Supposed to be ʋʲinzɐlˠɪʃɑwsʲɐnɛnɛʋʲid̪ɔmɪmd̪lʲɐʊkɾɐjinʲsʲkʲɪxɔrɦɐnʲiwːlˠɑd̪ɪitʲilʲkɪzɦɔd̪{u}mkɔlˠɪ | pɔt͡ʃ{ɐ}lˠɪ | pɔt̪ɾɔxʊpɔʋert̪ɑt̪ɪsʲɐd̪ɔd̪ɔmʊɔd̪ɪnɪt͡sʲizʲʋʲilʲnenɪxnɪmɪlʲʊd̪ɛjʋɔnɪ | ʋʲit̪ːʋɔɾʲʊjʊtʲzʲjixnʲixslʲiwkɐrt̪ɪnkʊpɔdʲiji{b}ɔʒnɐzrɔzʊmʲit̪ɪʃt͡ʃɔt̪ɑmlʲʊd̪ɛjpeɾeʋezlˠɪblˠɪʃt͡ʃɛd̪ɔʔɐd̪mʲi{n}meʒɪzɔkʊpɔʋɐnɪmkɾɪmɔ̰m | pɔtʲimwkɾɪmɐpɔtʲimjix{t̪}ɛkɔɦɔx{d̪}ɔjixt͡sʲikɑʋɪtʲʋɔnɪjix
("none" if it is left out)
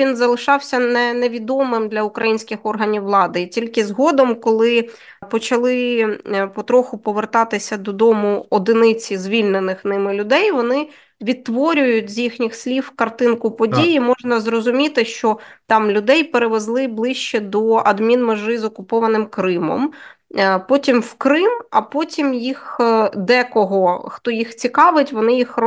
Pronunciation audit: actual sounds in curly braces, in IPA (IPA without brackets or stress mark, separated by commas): ɔ, ɐ, m, n, d̪, t̪